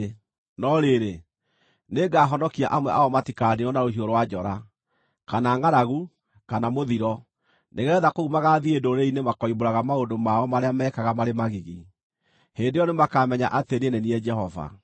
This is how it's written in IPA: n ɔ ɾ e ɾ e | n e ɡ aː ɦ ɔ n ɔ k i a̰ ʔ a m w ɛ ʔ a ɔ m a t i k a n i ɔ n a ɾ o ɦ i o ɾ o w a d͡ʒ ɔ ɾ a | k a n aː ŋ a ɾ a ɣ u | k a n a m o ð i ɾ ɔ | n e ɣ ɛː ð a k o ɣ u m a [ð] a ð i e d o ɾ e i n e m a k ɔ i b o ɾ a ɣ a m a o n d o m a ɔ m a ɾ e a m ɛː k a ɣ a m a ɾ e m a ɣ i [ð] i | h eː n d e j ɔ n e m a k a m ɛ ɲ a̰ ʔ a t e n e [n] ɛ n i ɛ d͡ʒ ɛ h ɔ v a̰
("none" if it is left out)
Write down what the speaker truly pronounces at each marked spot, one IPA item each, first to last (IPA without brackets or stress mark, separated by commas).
ɣ, ɣ, n